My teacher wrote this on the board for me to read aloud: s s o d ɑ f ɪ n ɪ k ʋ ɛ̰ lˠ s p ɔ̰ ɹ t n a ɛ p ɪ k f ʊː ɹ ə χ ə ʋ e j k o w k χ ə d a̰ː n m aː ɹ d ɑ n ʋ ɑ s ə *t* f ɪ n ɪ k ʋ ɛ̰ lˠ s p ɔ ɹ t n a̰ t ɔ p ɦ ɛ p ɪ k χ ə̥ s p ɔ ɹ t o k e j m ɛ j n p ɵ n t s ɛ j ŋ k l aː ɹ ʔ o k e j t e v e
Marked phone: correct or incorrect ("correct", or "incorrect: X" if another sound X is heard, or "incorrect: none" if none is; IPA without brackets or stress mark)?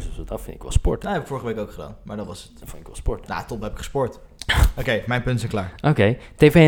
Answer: correct